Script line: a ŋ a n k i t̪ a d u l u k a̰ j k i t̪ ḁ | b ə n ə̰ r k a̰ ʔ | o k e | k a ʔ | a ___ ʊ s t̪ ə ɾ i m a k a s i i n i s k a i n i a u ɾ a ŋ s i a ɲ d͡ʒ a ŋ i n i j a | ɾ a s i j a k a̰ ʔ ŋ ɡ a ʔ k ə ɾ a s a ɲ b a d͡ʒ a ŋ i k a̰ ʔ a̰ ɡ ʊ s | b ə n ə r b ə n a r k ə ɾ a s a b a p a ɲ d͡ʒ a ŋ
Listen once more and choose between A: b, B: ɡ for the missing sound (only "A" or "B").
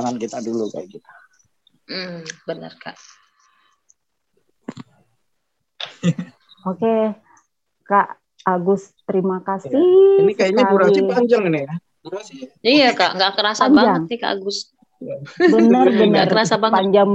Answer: B